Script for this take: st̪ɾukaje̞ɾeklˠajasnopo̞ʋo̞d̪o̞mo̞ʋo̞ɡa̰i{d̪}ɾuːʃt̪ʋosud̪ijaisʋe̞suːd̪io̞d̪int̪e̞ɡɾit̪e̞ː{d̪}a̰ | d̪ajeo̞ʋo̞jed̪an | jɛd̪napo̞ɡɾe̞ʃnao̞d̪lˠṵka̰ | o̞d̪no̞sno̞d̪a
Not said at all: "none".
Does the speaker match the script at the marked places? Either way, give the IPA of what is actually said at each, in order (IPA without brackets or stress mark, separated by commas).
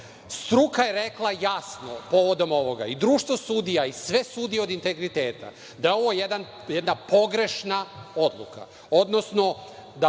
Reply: d̪, t̪